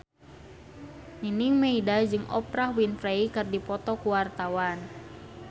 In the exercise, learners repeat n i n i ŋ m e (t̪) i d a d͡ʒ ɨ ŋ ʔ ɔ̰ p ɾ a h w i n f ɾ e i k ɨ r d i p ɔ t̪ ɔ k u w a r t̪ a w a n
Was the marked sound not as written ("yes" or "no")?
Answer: yes